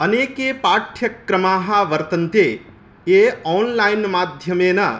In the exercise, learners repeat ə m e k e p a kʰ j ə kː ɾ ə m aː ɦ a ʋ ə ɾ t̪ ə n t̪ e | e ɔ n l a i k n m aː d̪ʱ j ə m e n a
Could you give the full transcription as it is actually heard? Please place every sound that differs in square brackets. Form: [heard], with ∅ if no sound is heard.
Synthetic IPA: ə [n] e k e p a [ʈʰ] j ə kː ɾ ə m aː ɦ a ʋ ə ɾ t̪ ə n t̪ e | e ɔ n l a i [∅] n m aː d̪ʱ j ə m e n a